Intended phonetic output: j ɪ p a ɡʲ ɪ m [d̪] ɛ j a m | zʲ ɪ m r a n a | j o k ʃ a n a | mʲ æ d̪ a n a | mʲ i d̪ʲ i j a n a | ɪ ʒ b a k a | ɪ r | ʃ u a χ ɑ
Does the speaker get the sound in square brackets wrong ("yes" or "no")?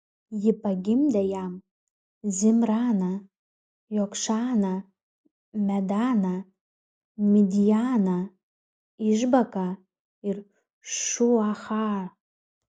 no